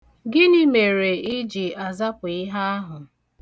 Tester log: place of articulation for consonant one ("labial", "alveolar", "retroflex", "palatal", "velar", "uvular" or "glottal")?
velar